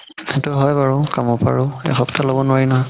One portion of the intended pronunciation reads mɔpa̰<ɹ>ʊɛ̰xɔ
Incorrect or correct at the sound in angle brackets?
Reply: correct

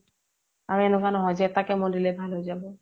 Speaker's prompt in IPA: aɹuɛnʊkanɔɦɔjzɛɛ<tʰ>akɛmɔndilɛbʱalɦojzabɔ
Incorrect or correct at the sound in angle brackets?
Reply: incorrect: t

